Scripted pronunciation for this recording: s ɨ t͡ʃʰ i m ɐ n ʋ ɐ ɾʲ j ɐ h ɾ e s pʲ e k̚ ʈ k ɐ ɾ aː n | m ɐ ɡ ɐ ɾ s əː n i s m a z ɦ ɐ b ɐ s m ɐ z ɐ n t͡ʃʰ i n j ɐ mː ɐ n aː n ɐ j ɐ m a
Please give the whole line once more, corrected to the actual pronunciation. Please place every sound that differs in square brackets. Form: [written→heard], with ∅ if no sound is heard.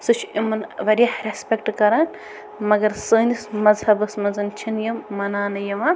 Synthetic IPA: s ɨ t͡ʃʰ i m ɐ n ʋ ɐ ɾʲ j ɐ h ɾ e s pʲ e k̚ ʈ k ɐ ɾ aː n | m ɐ ɡ ɐ ɾ s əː n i s m [a→ɐ] z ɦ ɐ b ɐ s m ɐ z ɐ n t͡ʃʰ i n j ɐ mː ɐ n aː n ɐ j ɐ m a